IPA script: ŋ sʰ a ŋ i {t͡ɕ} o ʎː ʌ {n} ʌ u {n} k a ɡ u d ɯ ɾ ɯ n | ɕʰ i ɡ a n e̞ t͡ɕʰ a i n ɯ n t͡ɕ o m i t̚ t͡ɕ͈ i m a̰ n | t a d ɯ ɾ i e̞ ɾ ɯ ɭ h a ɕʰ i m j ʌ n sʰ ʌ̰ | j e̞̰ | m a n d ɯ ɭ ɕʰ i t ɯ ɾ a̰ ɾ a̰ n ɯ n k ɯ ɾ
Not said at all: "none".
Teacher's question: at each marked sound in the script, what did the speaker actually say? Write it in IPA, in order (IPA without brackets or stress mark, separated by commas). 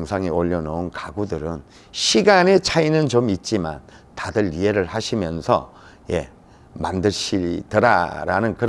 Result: none, n, n